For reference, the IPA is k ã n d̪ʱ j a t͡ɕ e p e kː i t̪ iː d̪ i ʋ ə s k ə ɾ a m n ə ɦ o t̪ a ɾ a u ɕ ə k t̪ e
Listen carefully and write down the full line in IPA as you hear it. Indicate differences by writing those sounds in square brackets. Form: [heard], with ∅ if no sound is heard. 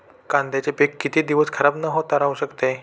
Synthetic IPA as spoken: k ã n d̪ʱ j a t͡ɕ e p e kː i t̪ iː d̪ i ʋ ə s [kʰ] ə ɾ a [b] n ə ɦ o t̪ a ɾ a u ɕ ə k t̪ e